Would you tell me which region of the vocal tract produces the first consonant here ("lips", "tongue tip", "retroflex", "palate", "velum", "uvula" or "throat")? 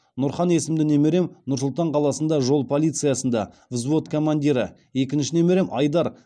tongue tip